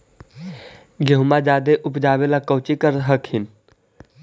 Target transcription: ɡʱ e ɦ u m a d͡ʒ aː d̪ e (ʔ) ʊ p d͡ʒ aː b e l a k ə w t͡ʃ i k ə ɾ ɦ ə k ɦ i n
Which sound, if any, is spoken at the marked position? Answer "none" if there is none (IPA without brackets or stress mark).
ʔ